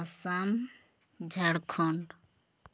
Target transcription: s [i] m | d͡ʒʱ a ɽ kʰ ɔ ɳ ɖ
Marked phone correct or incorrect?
incorrect